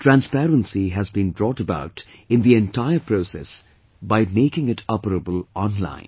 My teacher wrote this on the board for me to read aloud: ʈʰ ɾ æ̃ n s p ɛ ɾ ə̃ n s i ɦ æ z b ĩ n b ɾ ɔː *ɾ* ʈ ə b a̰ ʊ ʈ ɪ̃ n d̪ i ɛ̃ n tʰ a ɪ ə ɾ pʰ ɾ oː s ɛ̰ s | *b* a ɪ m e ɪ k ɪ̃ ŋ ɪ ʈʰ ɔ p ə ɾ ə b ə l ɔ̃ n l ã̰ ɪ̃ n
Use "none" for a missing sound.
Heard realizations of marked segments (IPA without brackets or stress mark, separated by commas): none, b